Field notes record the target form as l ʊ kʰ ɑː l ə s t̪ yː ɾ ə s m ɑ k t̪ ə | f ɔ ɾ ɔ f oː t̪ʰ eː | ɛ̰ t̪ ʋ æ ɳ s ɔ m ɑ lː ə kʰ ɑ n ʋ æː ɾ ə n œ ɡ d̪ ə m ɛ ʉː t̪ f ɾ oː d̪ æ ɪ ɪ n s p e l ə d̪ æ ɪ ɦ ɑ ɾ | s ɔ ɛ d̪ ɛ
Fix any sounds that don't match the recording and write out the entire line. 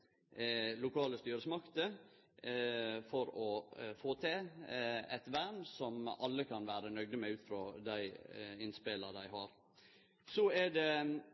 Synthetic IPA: l ʊ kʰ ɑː l ə s t̪ yː ɾ ə s m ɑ k t̪ ə | f ɔ ɾ ɔ f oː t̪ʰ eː | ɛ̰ t̪ ʋ æ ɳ s ɔ m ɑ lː ə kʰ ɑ n ʋ æː ɾ ə n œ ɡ d̪ ə m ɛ ʉː t̪ f ɾ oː d̪ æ ɪ ɪ n s p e l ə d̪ æ ɪ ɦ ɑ ɾ | s ɔ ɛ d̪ ɛ